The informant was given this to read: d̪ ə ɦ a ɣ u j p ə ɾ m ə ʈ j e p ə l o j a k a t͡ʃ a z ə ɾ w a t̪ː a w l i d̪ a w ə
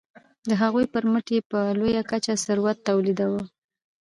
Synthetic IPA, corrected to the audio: d̪ ə ɦ a ɣ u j p ə ɾ m ə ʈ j e p ə l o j a k a t͡ʃ a s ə ɾ w a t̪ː a w l i d̪ a w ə